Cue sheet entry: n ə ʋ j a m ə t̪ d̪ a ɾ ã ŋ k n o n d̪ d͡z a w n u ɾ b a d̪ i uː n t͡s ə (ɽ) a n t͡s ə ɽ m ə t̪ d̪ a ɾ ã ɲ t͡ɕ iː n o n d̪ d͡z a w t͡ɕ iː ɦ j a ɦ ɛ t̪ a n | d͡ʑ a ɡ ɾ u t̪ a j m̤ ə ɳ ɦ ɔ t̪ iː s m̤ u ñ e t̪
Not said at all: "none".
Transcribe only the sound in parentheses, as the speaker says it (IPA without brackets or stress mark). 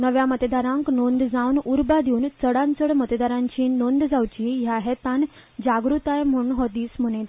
ɽ